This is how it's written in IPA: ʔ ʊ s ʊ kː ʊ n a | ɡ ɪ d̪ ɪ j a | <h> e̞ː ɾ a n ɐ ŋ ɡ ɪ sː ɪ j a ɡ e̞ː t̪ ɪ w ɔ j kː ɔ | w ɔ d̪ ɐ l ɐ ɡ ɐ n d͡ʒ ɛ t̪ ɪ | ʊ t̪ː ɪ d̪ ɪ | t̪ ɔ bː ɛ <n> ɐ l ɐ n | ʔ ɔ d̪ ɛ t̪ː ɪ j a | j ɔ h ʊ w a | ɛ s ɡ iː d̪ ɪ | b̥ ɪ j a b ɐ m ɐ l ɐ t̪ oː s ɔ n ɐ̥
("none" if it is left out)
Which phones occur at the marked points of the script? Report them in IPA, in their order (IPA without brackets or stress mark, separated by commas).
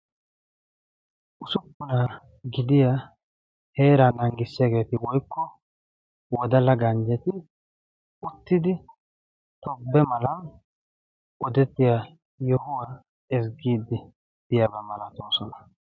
h, m